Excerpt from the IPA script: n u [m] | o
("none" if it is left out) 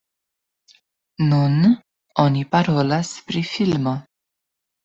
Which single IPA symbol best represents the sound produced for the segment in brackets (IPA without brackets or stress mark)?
n